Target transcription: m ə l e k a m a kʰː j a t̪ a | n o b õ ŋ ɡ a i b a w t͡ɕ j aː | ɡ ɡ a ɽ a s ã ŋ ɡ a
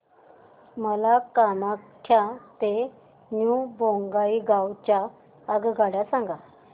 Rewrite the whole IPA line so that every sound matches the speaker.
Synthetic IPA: m ə l a k a m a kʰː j a t̪ e | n u b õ ŋ ɡ a i ɡ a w t͡ɕ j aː | ɡ ɡ a ɽ a s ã ŋ ɡ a

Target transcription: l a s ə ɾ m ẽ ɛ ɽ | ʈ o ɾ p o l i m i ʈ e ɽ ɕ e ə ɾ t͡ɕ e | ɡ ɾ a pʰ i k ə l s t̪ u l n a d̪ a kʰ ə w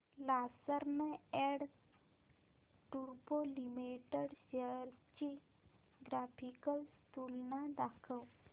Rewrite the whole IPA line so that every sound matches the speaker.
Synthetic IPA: l a s ə ɾ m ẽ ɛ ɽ | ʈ u ɾ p o l i m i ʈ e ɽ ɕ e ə ɾ t͡ɕ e | ɡ ɾ a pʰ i k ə l s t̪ u l n a d̪ a kʰ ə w

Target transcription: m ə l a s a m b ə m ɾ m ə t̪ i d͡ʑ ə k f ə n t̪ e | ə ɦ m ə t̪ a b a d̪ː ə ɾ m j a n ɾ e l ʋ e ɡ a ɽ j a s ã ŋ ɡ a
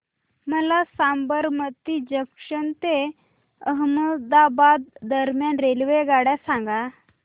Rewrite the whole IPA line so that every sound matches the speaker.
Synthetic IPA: m ə l a s a m b ə ɾ m ə t̪ i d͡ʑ ə k ʂ ə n t̪ e | ə ɦ m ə d̪ a b a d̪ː ə ɾ m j a n ɾ e l ʋ e ɡ a ɽ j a s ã ŋ ɡ a

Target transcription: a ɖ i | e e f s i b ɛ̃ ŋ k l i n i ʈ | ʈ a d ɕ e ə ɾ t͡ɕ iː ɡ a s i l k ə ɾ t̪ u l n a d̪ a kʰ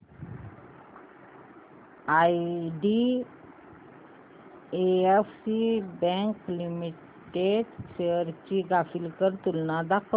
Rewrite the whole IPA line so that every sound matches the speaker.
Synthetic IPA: a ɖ i | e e f s i b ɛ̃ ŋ k l i m i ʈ | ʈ e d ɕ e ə ɾ t͡ɕ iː ɡ a f i l k ə ɾ t̪ u l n a d̪ a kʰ

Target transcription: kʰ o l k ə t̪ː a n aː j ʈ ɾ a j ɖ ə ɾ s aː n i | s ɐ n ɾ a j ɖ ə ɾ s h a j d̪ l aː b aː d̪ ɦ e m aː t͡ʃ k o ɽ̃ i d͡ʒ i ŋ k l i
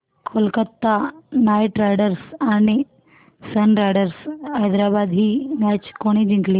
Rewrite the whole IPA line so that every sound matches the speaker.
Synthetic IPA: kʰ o l k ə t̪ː a n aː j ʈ ɾ a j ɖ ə ɾ s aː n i | s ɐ n ɾ a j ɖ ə ɾ s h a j d̪ ɾ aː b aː d̪ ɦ i m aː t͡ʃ k o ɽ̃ i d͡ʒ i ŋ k l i

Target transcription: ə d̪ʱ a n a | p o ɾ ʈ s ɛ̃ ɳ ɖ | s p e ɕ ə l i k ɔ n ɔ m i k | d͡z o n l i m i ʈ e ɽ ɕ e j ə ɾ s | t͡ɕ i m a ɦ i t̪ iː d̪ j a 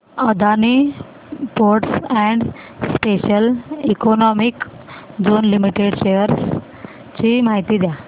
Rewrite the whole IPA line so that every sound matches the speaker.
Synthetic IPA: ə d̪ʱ a n i | p o ɾ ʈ s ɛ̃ ɳ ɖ | s p e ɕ ə l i k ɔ n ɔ m i k | d͡z o n l i m i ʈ e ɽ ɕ e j ə ɾ s | t͡ɕ i m a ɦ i t̪ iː d̪ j a

